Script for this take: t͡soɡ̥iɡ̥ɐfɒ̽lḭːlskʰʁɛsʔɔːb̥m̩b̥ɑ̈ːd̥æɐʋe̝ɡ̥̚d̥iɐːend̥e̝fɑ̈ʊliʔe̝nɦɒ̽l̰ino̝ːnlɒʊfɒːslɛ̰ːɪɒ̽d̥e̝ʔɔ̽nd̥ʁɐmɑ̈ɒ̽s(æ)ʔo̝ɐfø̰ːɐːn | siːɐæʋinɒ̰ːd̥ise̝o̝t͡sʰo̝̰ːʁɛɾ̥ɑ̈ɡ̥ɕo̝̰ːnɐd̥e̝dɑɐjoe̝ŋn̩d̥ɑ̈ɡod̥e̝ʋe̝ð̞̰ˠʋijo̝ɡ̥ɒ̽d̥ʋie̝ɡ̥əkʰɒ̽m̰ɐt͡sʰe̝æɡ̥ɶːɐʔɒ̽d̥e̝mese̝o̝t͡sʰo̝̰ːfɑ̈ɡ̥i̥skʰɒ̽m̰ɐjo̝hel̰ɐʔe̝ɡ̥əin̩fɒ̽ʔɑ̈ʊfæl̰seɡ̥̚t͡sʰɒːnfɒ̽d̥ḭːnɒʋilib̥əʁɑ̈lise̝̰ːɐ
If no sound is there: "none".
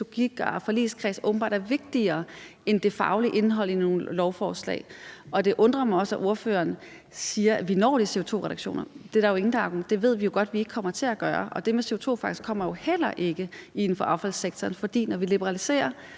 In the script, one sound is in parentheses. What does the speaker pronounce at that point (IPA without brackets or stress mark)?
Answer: æ